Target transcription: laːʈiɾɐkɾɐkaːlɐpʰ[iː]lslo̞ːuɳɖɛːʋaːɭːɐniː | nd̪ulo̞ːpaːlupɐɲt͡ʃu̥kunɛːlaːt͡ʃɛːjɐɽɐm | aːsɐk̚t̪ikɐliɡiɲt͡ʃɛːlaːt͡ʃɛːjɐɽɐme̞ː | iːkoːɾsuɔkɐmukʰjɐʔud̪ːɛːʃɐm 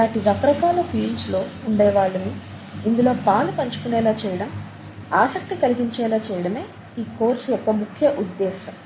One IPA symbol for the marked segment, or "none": iː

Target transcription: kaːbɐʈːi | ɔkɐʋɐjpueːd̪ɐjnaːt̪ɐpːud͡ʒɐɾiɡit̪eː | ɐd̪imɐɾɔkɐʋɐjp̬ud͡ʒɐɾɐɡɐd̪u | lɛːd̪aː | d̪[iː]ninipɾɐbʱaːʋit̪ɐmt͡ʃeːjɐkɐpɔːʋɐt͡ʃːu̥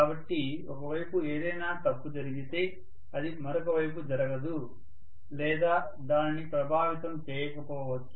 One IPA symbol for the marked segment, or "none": aː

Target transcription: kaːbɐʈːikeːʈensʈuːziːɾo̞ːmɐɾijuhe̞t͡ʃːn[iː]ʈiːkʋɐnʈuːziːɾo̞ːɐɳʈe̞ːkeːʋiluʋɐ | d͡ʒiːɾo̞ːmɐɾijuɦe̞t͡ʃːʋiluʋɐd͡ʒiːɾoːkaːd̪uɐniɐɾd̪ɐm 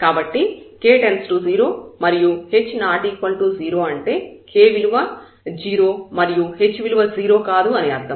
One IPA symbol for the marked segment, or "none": aː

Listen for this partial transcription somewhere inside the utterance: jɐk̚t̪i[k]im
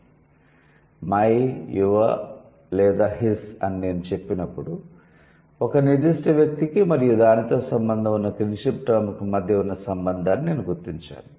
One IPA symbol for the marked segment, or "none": k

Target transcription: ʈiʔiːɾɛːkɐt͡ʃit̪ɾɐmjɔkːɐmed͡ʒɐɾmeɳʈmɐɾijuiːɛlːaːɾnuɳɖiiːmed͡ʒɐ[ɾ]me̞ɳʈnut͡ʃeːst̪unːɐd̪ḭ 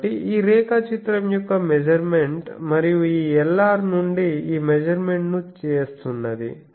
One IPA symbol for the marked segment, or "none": ɾ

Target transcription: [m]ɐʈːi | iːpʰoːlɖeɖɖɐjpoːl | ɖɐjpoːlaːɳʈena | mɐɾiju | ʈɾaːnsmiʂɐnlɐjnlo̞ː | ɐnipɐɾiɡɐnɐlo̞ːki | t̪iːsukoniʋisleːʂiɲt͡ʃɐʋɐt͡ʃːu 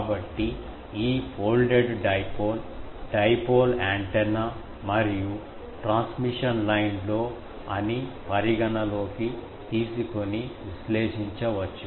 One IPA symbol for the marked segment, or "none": b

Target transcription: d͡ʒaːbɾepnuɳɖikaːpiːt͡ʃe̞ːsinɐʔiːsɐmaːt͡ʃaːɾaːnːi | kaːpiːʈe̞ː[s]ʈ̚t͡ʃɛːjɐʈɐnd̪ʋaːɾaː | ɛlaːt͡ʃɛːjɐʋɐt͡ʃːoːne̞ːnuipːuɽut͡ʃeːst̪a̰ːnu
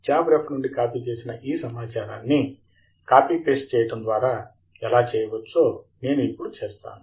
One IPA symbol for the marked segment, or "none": s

